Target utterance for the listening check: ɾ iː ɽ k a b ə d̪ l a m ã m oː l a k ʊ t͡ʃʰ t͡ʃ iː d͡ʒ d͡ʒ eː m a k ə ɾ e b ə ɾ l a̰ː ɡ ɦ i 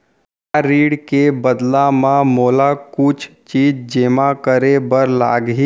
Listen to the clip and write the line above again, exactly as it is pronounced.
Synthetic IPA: ɾ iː ɽ k e b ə d̪ l a m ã m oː l a k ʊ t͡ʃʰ t͡ʃ iː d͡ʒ d͡ʒ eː m a k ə ɾ e b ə ɾ l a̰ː ɡ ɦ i